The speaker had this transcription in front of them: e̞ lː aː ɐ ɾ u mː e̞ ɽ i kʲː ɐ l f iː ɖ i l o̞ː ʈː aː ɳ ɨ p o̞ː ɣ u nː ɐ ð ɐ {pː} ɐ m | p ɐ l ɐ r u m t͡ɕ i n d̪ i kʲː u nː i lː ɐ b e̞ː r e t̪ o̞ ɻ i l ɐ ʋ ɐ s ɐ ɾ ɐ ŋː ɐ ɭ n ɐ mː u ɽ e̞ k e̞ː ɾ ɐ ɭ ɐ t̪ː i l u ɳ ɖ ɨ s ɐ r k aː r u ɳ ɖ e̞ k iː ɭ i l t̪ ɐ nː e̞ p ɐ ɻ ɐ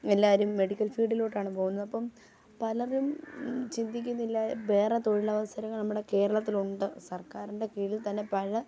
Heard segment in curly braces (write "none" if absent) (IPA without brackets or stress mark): pː